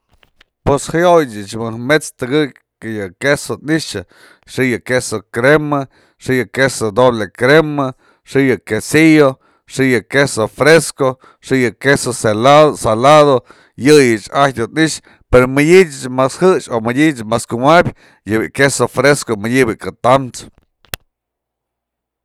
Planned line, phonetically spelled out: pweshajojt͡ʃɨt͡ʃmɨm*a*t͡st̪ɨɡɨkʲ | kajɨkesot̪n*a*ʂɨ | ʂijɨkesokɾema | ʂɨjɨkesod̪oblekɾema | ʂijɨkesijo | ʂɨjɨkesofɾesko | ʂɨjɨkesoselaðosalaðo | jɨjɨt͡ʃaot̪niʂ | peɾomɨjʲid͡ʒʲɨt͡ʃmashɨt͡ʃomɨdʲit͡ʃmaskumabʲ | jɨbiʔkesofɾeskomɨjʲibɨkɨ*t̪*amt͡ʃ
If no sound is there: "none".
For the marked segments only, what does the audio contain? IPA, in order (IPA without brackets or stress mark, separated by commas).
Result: e, i, t̪